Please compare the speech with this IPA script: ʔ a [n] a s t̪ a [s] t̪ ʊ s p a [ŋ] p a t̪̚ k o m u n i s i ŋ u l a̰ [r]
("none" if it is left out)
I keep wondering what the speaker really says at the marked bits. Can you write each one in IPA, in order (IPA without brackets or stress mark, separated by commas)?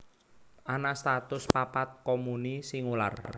n, none, none, r